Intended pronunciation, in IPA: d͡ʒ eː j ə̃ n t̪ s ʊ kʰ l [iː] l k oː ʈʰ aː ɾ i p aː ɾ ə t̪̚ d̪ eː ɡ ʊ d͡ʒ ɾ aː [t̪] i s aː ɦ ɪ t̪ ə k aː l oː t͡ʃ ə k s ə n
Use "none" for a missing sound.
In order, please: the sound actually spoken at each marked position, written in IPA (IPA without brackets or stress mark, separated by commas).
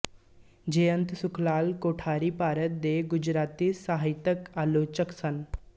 aː, t̪